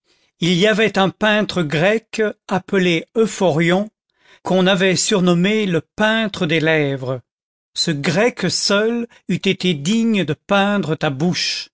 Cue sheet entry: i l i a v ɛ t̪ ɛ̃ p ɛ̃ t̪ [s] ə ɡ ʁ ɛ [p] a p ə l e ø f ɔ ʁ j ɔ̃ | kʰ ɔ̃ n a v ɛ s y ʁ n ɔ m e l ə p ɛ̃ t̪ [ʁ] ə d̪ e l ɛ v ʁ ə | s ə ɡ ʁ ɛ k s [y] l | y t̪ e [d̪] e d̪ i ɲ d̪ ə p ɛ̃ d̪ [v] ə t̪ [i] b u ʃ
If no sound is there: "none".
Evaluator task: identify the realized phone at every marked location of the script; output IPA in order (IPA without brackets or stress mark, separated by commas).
χ, k, χ, œ, t̪, ʁ, a